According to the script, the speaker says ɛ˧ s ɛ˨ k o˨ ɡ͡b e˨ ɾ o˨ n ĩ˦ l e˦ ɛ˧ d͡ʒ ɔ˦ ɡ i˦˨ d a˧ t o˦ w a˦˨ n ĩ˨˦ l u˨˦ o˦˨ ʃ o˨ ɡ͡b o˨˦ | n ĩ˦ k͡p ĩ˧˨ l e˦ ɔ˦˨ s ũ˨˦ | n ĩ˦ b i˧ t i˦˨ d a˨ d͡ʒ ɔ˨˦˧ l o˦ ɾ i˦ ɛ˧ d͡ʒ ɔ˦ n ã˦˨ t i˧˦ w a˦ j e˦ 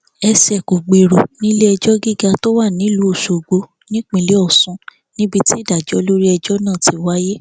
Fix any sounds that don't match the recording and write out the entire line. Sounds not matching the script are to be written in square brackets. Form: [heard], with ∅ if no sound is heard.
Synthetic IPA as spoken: ɛ˧ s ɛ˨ k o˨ ɡ͡b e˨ ɾ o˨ n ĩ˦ l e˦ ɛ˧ d͡ʒ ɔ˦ ɡ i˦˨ [ɡ] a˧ t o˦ w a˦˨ n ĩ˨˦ l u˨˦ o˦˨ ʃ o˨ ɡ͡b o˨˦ | n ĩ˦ k͡p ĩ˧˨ l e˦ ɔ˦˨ s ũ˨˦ | n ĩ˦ b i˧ t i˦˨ d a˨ d͡ʒ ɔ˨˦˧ l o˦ ɾ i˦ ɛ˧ d͡ʒ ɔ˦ n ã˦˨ t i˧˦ w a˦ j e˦